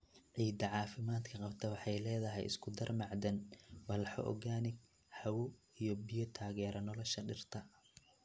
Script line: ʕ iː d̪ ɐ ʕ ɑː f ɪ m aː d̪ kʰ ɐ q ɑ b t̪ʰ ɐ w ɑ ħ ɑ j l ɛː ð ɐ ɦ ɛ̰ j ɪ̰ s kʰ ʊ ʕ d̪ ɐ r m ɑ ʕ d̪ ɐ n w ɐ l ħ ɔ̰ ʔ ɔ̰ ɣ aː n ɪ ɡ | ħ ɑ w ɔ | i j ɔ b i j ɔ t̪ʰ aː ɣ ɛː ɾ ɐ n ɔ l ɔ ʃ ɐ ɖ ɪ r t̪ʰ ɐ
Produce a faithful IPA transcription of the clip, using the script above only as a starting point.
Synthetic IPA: ʕ iː d̪ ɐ ʕ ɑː f ɪ m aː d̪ kʰ ɐ q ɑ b t̪ʰ ɐ w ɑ ħ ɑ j l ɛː ð ɐ ɦ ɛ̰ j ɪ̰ s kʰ ʊ d̪ ɐ r m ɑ ʕ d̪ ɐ n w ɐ l ħ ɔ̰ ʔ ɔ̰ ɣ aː n ɪ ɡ | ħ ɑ w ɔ | i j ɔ b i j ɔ t̪ʰ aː ɣ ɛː ɾ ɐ n ɔ l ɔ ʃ ɐ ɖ ɪ r t̪ʰ ɐ